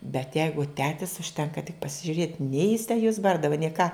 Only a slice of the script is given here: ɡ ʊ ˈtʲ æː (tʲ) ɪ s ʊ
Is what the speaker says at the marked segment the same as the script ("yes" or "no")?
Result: yes